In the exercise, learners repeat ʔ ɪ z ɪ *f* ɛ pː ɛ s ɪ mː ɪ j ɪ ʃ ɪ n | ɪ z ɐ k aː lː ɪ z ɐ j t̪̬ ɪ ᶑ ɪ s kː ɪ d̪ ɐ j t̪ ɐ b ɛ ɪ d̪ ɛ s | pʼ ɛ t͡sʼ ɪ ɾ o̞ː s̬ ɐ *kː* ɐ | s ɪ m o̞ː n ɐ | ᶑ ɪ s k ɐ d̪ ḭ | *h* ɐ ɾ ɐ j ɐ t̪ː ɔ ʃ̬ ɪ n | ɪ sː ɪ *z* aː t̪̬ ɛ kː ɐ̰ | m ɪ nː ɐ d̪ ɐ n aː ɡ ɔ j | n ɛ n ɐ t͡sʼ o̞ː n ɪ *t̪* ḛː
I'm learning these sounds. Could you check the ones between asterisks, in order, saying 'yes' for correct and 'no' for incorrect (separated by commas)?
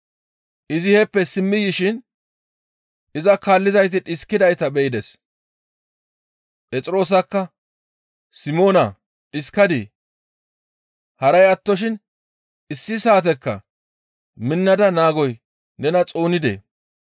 no, yes, yes, no, no